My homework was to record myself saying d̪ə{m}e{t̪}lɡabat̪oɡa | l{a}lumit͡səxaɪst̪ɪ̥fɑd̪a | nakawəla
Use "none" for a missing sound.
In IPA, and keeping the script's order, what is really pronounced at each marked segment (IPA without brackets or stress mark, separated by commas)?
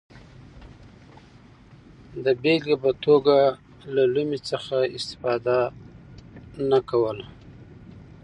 b, none, a